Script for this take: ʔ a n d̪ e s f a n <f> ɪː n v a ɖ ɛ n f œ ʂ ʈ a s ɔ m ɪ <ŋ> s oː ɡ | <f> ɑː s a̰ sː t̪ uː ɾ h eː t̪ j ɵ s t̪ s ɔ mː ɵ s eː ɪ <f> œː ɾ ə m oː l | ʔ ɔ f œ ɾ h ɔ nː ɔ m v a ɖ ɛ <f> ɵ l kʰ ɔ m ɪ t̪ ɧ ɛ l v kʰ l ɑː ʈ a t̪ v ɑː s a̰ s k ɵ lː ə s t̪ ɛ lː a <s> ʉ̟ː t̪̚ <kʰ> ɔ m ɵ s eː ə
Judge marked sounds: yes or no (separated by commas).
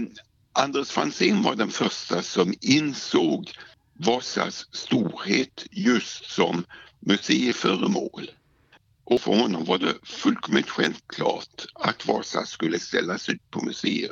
no, no, no, yes, yes, yes, no